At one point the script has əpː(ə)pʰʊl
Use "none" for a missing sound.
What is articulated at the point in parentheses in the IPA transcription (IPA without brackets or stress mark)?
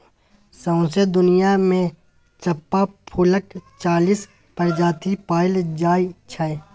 a